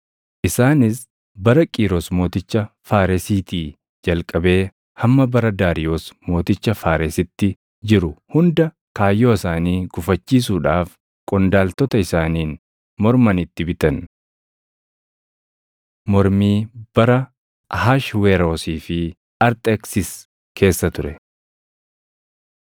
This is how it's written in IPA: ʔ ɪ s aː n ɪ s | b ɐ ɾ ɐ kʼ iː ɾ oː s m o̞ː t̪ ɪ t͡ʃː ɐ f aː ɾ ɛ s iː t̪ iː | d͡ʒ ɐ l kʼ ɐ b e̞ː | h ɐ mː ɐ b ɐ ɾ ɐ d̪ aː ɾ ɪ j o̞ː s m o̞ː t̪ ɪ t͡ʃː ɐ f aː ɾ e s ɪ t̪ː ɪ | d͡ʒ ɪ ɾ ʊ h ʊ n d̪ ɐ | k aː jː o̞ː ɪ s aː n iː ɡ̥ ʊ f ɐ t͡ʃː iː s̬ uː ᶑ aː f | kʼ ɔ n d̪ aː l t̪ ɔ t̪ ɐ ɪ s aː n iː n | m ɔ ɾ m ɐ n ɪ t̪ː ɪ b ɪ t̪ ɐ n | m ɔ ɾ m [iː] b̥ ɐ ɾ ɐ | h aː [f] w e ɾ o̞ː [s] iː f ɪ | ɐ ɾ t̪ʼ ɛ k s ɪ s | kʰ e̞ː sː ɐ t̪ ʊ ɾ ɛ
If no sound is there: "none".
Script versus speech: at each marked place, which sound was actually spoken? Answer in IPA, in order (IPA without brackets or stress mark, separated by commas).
iː, ʃ, s